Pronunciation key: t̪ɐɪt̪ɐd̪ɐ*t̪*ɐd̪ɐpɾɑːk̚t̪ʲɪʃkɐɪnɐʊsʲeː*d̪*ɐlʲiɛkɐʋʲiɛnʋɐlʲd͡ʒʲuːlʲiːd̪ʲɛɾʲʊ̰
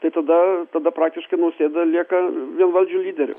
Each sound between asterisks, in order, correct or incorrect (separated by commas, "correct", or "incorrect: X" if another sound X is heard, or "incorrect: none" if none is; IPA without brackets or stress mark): correct, correct